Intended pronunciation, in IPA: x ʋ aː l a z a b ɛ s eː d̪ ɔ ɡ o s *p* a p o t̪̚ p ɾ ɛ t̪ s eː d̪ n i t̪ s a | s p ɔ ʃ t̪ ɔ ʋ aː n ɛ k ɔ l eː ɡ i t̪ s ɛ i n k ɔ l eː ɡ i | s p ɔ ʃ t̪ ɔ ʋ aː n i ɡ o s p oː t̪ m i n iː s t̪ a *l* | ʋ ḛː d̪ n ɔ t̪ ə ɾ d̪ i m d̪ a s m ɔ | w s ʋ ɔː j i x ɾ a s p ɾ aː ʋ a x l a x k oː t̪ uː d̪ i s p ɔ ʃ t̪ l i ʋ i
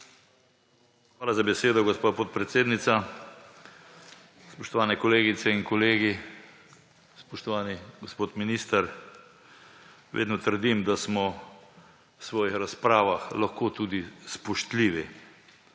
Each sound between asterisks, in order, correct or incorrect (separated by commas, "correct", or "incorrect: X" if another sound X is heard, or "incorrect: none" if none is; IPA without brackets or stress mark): correct, incorrect: ɾ